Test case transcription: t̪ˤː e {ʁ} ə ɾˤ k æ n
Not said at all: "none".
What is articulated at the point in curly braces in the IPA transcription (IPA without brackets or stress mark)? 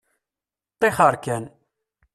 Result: χ